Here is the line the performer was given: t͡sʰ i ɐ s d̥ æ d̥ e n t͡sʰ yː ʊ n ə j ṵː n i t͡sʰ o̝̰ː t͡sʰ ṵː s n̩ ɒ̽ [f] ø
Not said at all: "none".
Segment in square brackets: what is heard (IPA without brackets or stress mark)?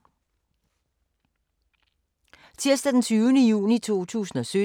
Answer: s